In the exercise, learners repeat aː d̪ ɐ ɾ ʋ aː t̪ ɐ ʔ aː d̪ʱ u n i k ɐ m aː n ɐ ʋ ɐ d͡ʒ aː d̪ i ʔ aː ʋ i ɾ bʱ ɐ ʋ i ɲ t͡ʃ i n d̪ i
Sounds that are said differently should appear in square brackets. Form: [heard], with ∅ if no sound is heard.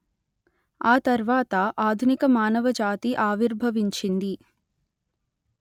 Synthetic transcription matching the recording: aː [t̪] ɐ ɾ ʋ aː t̪ ɐ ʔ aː d̪ʱ u n i k ɐ m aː n ɐ ʋ ɐ d͡ʒ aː [t̪] i ʔ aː ʋ i ɾ bʱ ɐ ʋ i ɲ t͡ʃ i n d̪ i